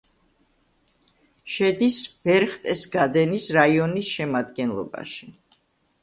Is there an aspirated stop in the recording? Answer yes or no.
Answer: no